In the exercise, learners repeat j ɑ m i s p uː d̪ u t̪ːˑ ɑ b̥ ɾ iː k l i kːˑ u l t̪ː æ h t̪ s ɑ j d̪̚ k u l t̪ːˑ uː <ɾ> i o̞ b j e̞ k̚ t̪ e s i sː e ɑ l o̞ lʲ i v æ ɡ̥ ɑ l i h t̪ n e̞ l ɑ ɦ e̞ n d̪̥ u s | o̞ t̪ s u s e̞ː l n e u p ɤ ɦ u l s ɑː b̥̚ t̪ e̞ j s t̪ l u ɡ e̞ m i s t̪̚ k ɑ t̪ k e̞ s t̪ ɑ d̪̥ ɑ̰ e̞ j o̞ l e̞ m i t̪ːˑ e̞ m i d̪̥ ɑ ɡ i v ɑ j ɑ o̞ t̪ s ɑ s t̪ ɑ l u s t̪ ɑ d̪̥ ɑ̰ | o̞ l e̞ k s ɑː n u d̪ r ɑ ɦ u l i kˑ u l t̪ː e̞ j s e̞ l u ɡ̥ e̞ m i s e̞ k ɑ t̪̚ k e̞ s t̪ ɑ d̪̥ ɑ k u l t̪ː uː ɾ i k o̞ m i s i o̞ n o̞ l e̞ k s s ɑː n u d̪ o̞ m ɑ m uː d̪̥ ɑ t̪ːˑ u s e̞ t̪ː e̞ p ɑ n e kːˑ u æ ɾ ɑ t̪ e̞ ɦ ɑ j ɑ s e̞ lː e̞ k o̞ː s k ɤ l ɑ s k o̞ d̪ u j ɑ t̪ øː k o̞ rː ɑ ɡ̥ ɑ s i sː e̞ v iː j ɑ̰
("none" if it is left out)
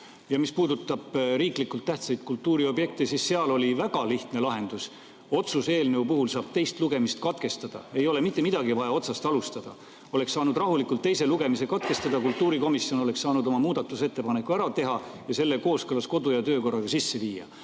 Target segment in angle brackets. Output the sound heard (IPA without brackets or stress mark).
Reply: ɾ